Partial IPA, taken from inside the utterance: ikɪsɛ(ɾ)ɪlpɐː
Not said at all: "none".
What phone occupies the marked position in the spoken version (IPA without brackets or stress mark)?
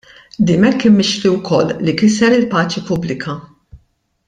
ɾ